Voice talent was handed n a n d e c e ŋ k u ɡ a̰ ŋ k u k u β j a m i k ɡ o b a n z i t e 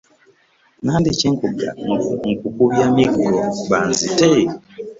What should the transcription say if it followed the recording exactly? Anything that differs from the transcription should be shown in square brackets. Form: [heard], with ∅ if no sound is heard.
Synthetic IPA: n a n d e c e ŋ k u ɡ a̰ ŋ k u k u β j a m i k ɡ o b a n z i t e